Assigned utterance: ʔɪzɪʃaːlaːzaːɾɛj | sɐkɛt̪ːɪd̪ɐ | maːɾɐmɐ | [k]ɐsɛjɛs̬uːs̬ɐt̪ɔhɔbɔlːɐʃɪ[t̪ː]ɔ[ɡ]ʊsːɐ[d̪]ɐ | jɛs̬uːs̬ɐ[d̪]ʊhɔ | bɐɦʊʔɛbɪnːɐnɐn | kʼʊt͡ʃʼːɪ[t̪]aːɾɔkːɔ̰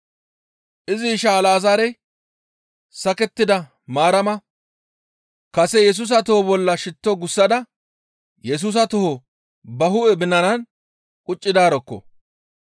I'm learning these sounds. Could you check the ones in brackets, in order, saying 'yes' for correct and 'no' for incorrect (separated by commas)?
yes, yes, yes, yes, no, no